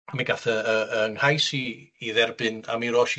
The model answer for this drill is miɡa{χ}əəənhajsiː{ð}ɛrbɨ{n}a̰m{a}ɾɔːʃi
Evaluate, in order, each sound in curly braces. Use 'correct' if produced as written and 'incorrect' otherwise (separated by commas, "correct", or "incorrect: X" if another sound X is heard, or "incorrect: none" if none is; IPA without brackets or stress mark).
incorrect: θ, correct, correct, incorrect: i